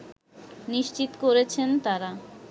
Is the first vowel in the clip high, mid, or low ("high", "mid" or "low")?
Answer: high